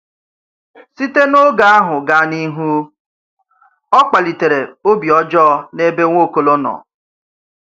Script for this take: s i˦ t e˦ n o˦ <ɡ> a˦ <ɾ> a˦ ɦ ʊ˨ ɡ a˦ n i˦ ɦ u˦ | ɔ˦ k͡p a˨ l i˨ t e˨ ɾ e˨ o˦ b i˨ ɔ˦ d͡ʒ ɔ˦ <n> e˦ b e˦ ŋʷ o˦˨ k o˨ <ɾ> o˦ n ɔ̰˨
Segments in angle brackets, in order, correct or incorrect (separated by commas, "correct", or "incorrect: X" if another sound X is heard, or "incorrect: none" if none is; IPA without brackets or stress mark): correct, incorrect: none, correct, incorrect: l